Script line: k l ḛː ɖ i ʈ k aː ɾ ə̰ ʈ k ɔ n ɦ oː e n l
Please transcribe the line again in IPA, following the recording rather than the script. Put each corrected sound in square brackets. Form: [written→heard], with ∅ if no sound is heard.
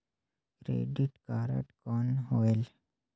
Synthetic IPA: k [l→ɾ] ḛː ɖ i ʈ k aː ɾ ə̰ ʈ k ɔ n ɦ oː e [n→∅] l